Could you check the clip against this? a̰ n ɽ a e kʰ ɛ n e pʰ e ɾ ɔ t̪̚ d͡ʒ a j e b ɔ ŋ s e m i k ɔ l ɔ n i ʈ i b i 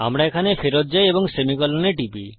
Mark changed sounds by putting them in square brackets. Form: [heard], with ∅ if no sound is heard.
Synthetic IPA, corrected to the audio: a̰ [m] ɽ a e kʰ [a] n e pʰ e ɾ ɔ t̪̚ d͡ʒ a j e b ɔ ŋ s e m i k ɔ l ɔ n [e] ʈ i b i